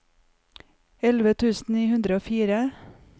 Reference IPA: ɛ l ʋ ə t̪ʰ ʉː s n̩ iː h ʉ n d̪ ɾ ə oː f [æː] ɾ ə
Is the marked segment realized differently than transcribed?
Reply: yes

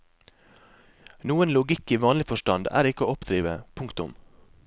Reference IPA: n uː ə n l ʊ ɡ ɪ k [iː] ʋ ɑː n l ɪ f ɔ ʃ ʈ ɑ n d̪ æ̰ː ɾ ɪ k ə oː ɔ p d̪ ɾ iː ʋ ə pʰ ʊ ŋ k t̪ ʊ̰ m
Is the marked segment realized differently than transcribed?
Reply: no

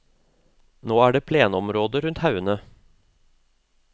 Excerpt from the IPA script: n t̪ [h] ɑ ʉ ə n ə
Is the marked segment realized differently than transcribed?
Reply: no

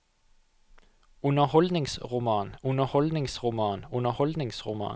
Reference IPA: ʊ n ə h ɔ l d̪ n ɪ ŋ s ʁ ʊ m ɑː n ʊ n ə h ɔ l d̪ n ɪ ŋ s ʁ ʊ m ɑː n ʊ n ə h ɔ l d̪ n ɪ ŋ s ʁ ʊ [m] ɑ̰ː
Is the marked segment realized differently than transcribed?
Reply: no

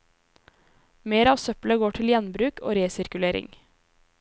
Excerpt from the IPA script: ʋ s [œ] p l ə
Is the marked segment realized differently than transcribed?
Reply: no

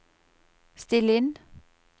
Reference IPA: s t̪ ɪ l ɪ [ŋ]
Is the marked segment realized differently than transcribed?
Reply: yes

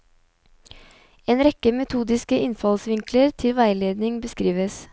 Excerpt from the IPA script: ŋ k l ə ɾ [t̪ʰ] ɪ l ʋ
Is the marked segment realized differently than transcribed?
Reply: no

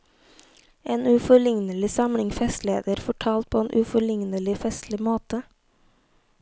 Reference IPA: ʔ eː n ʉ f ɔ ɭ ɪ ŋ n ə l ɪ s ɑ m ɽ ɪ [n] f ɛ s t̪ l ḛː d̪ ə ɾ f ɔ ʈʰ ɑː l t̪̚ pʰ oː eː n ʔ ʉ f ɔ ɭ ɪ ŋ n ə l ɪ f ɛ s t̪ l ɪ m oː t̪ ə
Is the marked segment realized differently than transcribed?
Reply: yes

